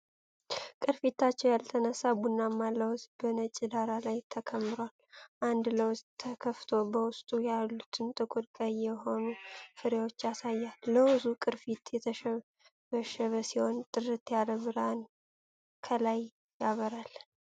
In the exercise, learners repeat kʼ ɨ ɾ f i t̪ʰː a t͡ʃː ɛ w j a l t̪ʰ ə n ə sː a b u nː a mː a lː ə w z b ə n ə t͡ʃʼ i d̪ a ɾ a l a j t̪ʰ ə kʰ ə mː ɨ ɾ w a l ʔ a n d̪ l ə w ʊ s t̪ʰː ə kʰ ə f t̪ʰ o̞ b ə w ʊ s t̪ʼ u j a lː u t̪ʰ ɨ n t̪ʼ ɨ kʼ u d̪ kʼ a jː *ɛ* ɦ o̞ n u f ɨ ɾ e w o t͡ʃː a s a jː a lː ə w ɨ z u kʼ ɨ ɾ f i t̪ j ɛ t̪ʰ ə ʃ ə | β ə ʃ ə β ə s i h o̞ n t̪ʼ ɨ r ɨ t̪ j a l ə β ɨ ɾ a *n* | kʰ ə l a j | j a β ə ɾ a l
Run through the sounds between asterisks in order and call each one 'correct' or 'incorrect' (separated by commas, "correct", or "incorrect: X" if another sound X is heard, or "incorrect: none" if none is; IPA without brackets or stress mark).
correct, correct